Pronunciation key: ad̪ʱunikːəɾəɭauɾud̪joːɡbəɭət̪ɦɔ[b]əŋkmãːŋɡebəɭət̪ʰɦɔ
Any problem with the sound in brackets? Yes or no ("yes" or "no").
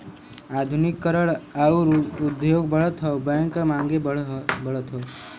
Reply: no